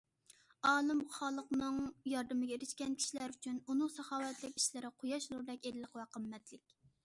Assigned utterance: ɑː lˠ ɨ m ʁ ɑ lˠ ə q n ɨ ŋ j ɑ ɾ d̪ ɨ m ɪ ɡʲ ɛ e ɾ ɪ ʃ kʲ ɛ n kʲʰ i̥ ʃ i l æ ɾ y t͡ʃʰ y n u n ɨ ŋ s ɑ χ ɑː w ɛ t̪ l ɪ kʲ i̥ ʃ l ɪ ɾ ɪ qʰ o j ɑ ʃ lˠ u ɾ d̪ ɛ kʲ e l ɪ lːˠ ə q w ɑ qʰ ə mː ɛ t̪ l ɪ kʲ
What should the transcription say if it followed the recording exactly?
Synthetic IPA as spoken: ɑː lˠ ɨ m χ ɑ lˠ ə q n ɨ ŋ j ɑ ɾ d̪ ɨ m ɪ ɡʲ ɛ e ɾ ɪ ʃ kʲ ɛ n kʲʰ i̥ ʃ i l æ ɾ y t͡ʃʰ y n u n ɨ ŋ s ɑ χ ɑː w ɛ t̪ l ɪ kʲ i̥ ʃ l ɪ ɾ ɪ qʰ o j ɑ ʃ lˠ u ɾ d̪ ɛ kʲ e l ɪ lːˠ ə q w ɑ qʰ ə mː ɛ t̪ l ɪ kʲ

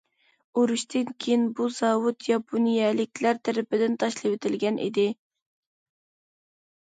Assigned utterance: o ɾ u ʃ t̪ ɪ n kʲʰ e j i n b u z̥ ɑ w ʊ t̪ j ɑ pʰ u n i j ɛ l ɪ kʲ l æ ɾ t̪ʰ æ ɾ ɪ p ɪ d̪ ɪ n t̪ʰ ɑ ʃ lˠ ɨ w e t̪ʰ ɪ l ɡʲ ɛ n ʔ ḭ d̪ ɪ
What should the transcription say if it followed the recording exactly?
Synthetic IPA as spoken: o ɾ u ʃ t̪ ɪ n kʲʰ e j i n b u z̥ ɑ w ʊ t̪ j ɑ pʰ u n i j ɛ l ɪ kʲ l æ ɾ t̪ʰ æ ɾ ɪ p ɪ d̪ ɪ n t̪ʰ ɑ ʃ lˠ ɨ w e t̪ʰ ɪ l ɡʲ ɛ n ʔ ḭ d̪ ɪ

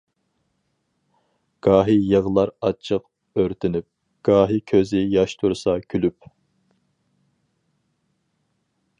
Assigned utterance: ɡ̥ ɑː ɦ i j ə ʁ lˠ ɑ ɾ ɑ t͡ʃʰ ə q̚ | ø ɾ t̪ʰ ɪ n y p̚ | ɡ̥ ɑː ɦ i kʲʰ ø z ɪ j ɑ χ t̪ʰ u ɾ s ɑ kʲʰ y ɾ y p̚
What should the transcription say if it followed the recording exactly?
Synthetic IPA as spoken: ɡ̥ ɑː ɦ i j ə ʁ lˠ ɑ ɾ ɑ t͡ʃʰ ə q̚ | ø ɾ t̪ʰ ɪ n y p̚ | ɡ̥ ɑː ɦ i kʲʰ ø z ɪ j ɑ ʃ t̪ʰ u ɾ s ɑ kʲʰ y l y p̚

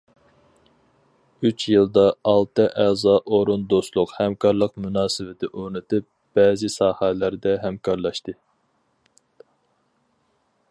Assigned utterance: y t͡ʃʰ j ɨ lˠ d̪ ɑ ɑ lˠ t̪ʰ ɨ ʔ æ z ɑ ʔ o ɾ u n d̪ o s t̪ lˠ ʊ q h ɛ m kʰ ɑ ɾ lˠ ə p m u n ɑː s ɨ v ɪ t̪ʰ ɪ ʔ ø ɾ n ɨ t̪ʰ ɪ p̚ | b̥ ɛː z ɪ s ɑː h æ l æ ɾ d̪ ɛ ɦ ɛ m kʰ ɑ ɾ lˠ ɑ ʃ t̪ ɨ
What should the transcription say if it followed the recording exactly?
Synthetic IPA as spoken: y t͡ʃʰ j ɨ lˠ d̪ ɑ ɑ lˠ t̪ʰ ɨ ʔ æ z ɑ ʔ o ɾ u n d̪ o s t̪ lˠ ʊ q h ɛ m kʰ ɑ ɾ lˠ ə q m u n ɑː s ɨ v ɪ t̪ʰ ɪ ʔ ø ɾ n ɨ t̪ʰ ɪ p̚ | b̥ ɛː z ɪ s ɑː h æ l æ ɾ d̪ ɛ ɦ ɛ m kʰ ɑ ɾ lˠ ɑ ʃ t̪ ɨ

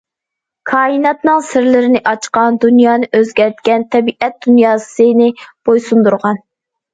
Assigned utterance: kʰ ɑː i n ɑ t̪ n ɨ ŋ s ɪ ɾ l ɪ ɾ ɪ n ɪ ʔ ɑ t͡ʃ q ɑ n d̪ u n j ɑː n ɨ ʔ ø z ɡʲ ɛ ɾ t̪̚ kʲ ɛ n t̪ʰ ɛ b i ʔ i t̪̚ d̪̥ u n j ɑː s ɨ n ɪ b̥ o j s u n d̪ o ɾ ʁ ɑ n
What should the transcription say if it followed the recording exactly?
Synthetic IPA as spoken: kʰ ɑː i n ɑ t̪ n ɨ ŋ s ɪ ɾ l ɪ ɾ ɪ n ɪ ʔ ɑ t͡ʃ q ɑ n d̪ u n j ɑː n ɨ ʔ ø z ɡʲ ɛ ɾ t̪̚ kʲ ɛ n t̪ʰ ɛ b i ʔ ɛ t̪̚ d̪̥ u n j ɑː s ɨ n ɪ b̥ o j s u n d̪ u ɾ ʁ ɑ n

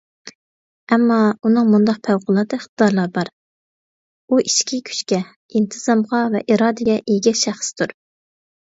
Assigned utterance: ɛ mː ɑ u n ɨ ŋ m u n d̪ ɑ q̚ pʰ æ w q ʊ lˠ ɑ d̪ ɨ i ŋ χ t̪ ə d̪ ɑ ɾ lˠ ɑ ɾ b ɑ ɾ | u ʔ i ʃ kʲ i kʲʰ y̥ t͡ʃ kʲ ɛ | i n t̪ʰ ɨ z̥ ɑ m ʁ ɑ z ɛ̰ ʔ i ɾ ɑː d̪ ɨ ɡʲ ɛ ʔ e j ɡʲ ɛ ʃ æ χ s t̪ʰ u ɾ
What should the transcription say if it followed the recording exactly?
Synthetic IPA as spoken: ɛ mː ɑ u n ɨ ŋ m u n d̪ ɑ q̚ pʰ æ w q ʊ lˠ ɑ d̪ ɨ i χ t̪ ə d̪ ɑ ɾ lˠ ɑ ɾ b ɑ ɾ | u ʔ i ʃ kʲ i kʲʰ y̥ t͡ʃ kʲ ɛ | i n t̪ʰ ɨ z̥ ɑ m ʁ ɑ v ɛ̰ ʔ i ɾ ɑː d̪ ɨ ɡʲ ɛ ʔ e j ɡʲ ɛ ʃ æ χ s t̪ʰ u ɾ

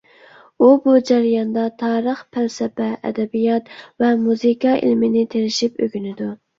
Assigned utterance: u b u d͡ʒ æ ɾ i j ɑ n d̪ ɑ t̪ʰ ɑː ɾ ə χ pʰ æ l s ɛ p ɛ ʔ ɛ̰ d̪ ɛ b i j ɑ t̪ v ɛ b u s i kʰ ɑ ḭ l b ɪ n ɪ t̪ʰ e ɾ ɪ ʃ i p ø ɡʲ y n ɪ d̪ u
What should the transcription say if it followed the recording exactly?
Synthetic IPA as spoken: u b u d͡ʒ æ ɾ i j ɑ n d̪ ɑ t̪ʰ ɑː ɾ ə χ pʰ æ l s ɛ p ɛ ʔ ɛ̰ d̪ ɛ b i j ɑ t̪ v ɛ m u z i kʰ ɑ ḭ l m ɪ n ɪ t̪ʰ e ɾ ɪ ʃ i p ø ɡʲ y n ɪ d̪ u

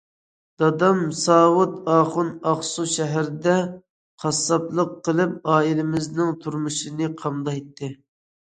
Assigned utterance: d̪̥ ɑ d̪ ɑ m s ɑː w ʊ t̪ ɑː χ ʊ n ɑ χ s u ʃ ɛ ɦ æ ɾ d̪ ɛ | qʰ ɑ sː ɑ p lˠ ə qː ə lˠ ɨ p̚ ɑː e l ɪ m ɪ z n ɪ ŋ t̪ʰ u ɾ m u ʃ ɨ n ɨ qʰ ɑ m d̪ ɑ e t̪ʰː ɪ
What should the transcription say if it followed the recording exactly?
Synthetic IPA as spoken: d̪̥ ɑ d̪ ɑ m s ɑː w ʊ t̪ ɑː χ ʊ n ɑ χ s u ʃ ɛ ɦ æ ɾ d̪ ɛ | qʰ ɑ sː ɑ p lˠ ə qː ə lˠ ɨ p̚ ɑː i l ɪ m ɪ z n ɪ ŋ t̪ʰ u ɾ m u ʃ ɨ n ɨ qʰ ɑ m d̪ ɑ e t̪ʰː ɪ

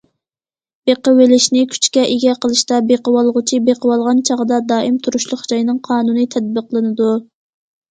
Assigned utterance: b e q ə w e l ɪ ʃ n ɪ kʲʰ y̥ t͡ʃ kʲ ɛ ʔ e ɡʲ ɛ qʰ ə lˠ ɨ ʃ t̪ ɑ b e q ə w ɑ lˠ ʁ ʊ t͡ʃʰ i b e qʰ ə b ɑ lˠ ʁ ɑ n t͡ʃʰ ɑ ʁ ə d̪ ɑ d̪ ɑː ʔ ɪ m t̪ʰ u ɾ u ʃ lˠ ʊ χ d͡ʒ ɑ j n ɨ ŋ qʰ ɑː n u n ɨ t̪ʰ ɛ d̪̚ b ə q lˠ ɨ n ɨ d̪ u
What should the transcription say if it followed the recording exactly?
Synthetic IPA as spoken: b e q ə w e l ɪ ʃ n ɪ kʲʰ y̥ t͡ʃ kʲ ɛ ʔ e ɡʲ ɛ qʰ ə lˠ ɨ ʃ t̪ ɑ b e q ə w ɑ lˠ ʁ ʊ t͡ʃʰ i b e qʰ ə w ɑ lˠ ʁ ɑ n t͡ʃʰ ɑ ʁ ə d̪ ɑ d̪ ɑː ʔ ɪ m t̪ʰ u ɾ u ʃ lˠ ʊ χ d͡ʒ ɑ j n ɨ ŋ qʰ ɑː n u n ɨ t̪ʰ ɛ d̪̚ b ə q lˠ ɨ n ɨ d̪ u

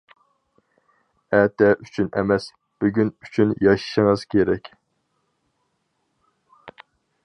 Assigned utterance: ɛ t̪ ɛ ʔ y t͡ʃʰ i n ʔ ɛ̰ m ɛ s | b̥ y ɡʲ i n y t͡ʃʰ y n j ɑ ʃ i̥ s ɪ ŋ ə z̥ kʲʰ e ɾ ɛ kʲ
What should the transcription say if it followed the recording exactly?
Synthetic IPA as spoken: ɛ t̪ ɛ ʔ y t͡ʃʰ y n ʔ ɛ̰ m ɛ s | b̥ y ɡʲ y n y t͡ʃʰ y n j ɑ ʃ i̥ ʃ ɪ ŋ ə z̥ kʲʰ e ɾ ɛ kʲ

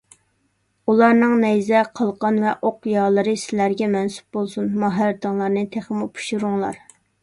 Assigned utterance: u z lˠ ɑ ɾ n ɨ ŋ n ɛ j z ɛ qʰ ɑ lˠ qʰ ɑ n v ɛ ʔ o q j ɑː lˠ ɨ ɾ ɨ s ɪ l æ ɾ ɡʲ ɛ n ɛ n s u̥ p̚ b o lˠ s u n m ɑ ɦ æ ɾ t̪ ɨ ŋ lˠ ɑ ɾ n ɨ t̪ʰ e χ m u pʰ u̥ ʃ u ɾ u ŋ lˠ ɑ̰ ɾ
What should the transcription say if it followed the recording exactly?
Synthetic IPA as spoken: u lˠ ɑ ɾ n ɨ ŋ n ɛ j z ɛ qʰ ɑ lˠ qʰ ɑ n v ɛ ʔ o q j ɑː lˠ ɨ ɾ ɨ s ɪ l æ ɾ ɡʲ ɛ m ɛ n s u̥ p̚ b o lˠ s u n m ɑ ɦ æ ɾ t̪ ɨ ŋ lˠ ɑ ɾ n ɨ t̪ʰ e χ m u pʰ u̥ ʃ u ɾ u ŋ lˠ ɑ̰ ɾ

